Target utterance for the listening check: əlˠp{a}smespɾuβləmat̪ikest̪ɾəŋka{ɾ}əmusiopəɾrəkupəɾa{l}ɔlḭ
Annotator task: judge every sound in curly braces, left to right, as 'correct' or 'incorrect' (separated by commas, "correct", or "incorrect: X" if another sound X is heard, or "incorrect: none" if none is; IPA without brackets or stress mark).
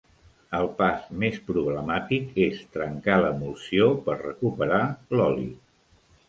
correct, incorrect: l, correct